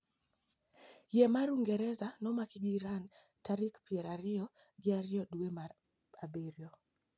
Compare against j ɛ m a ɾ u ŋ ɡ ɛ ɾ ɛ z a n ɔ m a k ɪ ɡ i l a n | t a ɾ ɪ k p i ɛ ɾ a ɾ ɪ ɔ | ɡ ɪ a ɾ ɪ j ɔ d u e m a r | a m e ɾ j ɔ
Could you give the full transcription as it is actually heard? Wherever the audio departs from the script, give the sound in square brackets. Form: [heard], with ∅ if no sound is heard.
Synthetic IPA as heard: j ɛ m a ɾ u ŋ ɡ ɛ ɾ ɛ z a n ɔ m a k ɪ ɡ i [ɾ] a n | t a ɾ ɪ k p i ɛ ɾ a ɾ ɪ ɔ | ɡ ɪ a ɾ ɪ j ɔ d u e m a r | a [b] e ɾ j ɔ